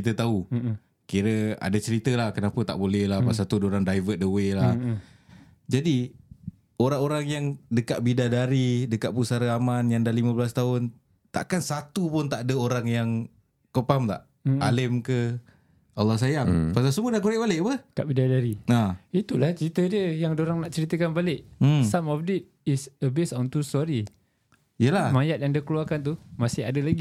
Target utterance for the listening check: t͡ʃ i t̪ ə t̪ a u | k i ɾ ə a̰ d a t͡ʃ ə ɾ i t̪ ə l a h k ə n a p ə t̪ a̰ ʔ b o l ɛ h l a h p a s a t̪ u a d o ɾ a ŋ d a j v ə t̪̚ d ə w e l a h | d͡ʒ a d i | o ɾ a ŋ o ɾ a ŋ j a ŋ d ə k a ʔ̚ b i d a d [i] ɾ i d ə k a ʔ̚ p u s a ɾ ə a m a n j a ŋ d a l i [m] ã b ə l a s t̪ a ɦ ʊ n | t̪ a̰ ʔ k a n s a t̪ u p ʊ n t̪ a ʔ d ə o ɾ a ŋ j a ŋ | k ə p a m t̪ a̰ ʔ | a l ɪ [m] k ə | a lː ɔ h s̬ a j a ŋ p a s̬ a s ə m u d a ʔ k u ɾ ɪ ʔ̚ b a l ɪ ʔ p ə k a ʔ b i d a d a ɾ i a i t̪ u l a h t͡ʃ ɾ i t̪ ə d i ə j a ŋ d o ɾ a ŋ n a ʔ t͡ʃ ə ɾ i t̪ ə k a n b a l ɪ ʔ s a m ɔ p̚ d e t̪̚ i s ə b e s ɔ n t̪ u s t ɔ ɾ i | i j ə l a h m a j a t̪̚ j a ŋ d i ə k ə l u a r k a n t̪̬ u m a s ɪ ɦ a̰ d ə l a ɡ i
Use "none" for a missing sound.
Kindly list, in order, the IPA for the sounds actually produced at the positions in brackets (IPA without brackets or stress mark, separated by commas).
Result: a, m, m